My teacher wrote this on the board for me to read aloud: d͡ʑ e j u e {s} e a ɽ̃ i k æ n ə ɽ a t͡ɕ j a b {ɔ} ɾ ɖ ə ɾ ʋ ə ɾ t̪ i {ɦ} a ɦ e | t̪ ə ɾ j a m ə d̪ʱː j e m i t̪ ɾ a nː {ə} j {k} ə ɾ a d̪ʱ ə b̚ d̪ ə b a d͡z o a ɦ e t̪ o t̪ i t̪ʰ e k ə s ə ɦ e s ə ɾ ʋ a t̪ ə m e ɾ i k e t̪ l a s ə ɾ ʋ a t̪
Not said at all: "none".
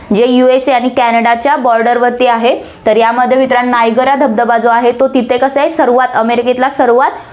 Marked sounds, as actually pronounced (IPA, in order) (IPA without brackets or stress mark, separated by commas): s, ɔ, none, a, ɡ